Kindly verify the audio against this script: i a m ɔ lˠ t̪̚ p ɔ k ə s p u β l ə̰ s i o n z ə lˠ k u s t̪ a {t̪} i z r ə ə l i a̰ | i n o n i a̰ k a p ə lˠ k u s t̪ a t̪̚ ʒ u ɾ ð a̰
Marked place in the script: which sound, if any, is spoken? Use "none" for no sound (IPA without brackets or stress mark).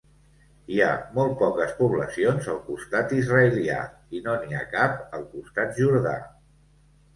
t̪